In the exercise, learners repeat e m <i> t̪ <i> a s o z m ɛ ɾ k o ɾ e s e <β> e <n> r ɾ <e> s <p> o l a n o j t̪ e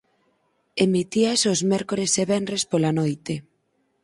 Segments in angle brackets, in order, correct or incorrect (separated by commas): correct, correct, correct, correct, correct, correct